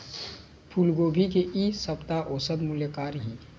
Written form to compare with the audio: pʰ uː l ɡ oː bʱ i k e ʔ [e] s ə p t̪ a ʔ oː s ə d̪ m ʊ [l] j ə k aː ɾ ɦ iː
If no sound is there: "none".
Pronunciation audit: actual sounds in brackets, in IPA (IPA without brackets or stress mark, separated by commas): i, l